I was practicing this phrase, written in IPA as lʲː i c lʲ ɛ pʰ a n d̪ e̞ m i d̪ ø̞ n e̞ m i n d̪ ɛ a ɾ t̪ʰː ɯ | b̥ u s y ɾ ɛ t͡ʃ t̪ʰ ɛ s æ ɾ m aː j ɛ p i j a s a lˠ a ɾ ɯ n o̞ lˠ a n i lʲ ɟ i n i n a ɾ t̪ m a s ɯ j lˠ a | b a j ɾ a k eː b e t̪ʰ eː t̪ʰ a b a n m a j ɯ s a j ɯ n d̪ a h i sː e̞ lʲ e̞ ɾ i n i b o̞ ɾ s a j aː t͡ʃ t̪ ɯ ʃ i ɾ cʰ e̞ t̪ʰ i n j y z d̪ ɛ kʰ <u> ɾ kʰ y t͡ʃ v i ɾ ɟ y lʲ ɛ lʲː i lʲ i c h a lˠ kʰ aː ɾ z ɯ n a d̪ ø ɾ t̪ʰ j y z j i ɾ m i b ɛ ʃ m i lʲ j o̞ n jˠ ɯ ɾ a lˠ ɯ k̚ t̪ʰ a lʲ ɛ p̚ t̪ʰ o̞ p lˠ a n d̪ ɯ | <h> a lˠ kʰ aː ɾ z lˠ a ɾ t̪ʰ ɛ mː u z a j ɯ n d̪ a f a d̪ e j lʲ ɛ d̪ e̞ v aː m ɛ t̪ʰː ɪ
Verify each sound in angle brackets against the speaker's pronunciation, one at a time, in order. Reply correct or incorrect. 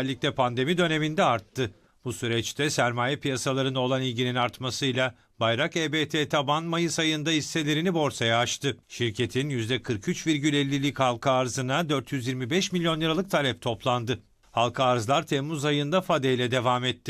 incorrect, correct

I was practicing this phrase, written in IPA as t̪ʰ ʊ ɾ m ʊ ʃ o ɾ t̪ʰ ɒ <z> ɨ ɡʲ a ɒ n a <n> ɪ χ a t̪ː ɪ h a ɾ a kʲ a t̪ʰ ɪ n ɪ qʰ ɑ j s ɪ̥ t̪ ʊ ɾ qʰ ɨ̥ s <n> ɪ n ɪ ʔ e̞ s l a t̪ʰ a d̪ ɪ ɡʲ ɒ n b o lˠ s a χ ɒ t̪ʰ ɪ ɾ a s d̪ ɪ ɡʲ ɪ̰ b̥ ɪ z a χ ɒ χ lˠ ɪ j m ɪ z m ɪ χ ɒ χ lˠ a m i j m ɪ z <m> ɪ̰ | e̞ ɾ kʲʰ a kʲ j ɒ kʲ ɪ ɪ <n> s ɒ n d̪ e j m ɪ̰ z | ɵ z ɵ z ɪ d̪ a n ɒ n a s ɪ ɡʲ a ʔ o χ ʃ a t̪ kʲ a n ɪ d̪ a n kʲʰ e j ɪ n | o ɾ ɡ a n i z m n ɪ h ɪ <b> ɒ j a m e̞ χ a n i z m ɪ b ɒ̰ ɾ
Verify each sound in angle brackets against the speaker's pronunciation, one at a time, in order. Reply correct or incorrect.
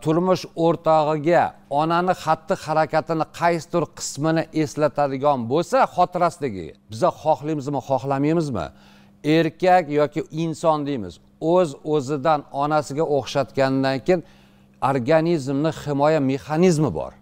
incorrect, correct, incorrect, correct, correct, incorrect

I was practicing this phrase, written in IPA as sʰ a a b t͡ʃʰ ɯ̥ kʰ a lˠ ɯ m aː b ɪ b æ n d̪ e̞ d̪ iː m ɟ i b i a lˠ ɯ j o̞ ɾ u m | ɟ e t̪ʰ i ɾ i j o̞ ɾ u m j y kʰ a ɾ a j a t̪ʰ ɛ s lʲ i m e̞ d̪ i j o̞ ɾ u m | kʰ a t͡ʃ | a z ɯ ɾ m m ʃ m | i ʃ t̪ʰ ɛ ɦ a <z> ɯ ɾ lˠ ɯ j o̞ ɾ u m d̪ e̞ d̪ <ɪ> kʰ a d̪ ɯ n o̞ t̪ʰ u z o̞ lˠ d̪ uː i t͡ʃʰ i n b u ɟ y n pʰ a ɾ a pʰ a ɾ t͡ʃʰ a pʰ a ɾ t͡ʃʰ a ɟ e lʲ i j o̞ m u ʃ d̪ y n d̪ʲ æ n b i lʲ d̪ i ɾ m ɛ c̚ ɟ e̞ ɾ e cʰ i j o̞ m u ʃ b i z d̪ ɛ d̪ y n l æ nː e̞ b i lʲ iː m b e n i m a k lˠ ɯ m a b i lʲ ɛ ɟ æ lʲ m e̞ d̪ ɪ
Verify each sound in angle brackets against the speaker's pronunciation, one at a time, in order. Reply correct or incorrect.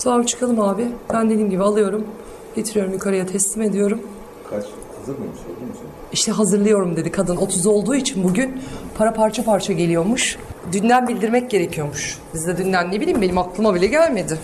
correct, incorrect

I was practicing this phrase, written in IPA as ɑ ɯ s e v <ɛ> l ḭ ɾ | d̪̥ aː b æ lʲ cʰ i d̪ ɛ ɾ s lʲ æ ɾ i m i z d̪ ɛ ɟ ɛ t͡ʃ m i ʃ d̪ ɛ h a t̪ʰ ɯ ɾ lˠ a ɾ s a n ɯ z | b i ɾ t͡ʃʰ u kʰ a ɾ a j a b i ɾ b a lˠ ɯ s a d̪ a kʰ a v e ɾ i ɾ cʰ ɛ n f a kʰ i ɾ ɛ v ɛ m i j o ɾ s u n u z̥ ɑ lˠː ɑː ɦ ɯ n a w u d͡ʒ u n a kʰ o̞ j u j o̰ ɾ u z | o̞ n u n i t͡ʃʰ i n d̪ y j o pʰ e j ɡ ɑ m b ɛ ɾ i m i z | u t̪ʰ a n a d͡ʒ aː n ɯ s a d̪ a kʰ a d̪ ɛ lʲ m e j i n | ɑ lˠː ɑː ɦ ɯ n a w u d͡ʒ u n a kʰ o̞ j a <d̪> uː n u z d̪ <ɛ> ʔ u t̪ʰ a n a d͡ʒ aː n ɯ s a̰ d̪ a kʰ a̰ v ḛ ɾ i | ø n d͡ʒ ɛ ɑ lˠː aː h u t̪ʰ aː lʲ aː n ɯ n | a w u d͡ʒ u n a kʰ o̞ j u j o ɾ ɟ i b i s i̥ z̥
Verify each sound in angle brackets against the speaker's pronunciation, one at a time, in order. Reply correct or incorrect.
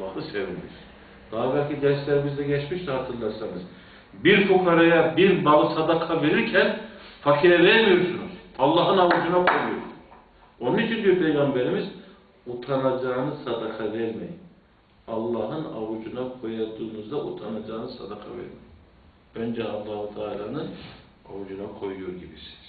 incorrect, correct, incorrect

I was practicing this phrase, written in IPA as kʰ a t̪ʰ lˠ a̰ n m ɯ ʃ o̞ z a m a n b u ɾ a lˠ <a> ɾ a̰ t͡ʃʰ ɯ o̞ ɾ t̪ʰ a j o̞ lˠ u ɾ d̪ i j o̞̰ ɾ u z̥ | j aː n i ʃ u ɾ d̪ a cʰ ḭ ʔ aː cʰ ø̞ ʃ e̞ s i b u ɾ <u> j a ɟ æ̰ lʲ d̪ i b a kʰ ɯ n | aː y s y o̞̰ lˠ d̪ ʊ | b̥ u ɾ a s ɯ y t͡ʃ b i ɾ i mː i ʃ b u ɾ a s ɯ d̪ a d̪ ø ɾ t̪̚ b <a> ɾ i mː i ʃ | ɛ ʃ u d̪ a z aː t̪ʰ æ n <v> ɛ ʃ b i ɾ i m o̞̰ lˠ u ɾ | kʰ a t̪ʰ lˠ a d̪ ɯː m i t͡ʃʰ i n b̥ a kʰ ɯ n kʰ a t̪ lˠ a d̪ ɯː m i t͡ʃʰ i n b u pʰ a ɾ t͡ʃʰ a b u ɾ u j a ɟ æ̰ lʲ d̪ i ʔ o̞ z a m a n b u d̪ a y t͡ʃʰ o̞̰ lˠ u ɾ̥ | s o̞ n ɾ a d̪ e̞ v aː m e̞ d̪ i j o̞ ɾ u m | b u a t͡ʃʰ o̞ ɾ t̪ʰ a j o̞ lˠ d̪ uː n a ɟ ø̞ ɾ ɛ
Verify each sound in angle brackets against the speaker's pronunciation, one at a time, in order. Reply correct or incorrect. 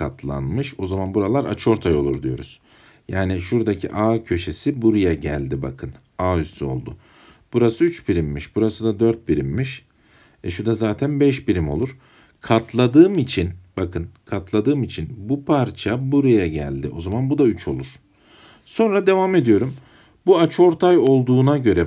correct, correct, incorrect, incorrect

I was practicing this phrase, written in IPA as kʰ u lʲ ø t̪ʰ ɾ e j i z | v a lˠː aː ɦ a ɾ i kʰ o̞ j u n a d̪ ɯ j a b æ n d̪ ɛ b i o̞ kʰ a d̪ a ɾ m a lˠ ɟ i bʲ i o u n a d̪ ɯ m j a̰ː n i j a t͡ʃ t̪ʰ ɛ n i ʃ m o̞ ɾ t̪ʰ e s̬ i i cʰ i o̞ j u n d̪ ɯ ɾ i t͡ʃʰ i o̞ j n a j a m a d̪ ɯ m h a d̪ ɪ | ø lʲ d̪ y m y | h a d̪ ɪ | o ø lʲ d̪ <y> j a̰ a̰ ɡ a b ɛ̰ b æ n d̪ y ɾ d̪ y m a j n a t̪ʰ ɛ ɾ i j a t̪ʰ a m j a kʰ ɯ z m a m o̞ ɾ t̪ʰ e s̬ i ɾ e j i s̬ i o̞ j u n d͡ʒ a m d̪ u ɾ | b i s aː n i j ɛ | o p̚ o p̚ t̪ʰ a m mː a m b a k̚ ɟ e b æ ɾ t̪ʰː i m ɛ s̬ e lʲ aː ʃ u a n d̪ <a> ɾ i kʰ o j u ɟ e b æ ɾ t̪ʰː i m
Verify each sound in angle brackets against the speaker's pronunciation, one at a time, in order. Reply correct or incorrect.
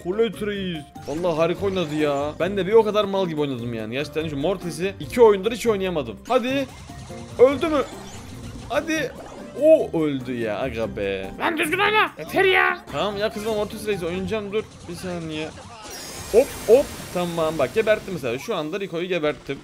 correct, correct

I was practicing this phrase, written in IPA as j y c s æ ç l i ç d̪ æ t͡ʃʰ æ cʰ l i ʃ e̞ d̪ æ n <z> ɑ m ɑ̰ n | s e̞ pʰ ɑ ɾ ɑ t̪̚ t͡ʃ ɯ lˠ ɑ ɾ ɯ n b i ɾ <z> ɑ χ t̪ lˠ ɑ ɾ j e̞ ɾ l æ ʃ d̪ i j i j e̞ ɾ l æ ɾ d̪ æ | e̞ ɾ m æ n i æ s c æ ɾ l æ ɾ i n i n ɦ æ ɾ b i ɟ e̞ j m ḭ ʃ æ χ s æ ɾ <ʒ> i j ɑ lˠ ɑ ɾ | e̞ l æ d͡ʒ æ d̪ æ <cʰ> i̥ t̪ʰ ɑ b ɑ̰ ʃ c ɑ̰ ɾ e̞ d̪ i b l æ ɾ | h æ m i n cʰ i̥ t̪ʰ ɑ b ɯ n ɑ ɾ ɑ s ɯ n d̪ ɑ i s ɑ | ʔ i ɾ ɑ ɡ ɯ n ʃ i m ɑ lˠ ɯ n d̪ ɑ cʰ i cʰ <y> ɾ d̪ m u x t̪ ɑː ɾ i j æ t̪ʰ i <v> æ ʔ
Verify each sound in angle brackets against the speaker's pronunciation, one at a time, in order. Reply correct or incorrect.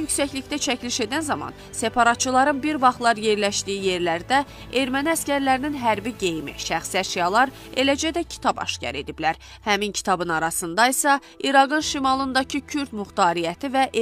correct, incorrect, incorrect, correct, correct, correct

